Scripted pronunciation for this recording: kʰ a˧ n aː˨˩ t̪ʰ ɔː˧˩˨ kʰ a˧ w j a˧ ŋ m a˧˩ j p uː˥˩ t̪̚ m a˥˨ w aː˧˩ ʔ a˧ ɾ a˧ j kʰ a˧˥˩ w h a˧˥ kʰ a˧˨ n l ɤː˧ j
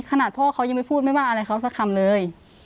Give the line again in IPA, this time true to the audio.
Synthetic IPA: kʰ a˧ n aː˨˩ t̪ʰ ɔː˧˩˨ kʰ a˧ w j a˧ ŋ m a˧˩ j pʰ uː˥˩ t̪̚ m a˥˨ w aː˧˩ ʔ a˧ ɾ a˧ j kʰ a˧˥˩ w s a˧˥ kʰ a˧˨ m l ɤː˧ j

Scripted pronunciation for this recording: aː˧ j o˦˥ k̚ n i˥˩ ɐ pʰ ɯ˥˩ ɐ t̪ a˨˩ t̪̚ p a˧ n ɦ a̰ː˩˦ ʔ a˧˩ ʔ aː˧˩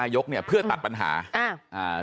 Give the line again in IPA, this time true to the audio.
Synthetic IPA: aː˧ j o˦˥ k̚ n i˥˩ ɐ pʰ ɯ˥˩ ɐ t̪ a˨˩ t̪̚ p a˧ n ɦ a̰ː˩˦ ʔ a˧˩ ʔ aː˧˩

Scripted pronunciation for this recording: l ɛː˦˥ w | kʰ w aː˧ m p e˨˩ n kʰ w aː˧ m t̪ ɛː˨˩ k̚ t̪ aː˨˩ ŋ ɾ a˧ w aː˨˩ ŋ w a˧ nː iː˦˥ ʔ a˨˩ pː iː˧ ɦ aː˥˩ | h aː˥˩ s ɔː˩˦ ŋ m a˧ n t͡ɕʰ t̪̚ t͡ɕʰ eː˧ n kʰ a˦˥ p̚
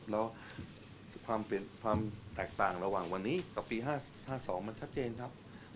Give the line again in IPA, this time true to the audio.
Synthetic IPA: l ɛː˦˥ w | kʰ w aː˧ m p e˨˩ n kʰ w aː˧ m t̪ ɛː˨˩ k̚ t̪ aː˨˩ ŋ ɾ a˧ w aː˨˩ ŋ w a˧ nː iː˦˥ k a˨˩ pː iː˧ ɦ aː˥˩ | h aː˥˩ s ɔː˩˦ ŋ m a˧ n t͡ɕʰ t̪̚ t͡ɕ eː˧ n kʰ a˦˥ p̚

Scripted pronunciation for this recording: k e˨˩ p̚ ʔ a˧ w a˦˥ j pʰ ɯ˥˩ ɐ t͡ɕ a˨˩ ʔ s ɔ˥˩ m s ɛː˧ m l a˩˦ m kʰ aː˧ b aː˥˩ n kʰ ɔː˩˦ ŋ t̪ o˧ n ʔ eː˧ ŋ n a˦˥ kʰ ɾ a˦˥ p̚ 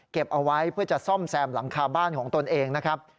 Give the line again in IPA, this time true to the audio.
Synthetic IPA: k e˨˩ p̚ ʔ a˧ w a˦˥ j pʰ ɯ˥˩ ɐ t͡ɕ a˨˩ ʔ s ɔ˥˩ m s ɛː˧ m l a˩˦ ŋ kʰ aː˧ b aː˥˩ n kʰ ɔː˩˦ ŋ t̪ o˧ n ʔ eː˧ ŋ n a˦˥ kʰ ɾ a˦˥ p̚

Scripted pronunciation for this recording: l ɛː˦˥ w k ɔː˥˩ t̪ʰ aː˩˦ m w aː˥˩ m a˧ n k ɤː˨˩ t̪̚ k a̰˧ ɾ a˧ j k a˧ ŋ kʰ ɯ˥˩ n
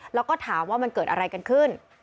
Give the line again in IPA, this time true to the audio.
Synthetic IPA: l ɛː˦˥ w k ɔː˥˩ t̪ʰ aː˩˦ m w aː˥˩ m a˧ n k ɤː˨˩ t̪̚ ʔ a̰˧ ɾ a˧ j k a˧ n kʰ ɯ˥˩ n

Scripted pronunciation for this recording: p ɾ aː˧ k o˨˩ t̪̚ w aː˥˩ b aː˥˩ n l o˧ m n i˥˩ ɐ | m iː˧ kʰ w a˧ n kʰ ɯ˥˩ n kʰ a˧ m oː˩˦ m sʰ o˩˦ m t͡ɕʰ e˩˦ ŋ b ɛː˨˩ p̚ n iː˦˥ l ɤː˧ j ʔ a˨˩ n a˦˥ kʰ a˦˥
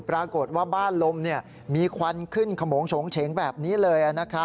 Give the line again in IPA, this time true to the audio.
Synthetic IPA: p ɾ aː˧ k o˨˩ t̪̚ w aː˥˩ b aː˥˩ n l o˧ m n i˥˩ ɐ | m iː˧ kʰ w a˧ n kʰ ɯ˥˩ n kʰ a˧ m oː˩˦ ŋ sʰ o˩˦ ŋ t͡ɕʰ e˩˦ ŋ b ɛː˨˩ p̚ n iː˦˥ l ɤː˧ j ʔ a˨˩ n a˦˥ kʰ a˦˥

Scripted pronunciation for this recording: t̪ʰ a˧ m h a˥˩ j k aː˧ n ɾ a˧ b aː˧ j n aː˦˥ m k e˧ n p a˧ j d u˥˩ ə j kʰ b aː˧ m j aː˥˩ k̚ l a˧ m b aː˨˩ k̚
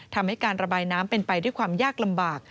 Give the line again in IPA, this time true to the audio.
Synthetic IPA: t̪ʰ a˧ m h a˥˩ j k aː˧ n ɾ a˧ b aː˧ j n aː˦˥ m p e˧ n p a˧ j d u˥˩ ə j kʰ w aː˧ m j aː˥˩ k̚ l a˧ m b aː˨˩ k̚

